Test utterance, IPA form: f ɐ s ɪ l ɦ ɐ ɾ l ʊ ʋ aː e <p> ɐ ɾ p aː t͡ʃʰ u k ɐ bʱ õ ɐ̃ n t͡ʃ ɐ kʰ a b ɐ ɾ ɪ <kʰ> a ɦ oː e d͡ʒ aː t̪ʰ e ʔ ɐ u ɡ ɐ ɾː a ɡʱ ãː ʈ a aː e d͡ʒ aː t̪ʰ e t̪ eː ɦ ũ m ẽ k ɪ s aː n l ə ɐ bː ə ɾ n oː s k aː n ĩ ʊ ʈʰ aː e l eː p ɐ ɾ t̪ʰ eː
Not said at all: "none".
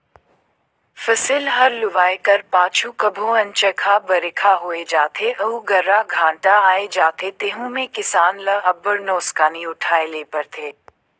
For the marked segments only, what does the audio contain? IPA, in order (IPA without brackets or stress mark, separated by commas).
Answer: k, kʰ